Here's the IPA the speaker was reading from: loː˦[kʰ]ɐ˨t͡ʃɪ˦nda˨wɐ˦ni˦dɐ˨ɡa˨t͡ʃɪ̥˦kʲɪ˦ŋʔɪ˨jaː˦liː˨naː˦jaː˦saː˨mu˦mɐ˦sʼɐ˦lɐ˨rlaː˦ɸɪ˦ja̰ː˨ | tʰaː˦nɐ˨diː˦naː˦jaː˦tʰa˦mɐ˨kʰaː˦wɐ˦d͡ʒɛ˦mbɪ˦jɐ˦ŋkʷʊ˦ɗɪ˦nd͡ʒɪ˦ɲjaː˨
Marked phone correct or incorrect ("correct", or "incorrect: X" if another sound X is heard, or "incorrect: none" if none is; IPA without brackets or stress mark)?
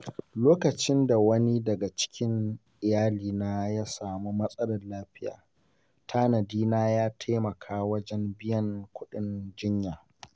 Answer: incorrect: k